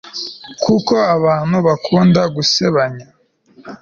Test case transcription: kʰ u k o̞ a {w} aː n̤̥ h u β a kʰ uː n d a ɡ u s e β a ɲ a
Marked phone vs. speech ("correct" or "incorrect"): incorrect